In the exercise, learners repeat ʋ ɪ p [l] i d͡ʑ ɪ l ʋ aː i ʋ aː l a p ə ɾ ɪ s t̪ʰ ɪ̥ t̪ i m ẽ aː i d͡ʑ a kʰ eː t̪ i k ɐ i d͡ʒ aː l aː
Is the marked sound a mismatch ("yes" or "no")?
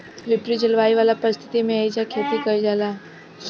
yes